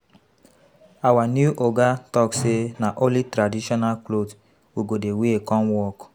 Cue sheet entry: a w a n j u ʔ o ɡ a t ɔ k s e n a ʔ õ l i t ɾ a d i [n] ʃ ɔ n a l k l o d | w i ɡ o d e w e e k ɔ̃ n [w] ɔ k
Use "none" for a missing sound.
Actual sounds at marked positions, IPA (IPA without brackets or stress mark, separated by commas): none, w